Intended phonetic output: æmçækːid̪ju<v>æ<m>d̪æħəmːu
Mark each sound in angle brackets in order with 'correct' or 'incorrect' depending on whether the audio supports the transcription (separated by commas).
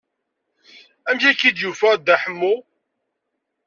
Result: incorrect, incorrect